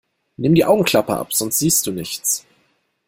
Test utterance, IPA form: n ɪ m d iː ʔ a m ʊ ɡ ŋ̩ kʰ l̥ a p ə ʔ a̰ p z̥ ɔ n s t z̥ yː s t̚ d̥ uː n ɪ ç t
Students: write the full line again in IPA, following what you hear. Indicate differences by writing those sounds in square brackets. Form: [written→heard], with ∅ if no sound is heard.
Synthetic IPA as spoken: n ɪ m d iː ʔ a [m→∅] ʊ ɡ ŋ̩ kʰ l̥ a p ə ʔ a̰ p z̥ ɔ n s t z̥ [yː→iː] s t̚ d̥ uː n ɪ ç [t→t͡s]